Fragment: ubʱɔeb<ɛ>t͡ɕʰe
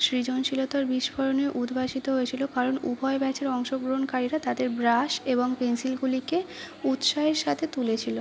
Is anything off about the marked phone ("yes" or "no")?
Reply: no